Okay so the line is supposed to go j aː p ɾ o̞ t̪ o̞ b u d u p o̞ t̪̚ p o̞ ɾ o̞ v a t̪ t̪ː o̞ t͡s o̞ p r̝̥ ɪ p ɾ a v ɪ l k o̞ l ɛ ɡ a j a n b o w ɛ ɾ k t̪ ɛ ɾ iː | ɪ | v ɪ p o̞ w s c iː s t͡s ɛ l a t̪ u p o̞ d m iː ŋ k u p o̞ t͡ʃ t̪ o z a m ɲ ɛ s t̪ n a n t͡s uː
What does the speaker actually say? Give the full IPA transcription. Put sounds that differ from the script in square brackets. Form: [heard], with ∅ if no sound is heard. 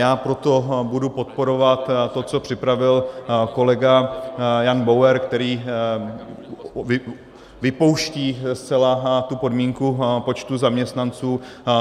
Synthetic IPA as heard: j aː p ɾ o̞ t̪ o̞ b u d u p o̞ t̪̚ p o̞ ɾ o̞ v a t̪ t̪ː o̞ t͡s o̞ p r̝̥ ɪ p ɾ a v ɪ l k o̞ l ɛ ɡ a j a n b o w ɛ ɾ k t̪ ɛ ɾ iː | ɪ | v ɪ p o̞ w [ʃ] c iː s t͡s ɛ l a t̪ u p o̞ d m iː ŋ k u p o̞ t͡ʃ t̪ [u] z a m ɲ ɛ s t̪ n a n t͡s uː